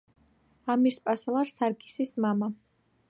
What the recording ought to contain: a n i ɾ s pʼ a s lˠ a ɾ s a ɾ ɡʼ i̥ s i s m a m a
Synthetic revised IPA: a m i ɾ s pʼ a s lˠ a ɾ s a ɾ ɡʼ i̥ s i s m a m a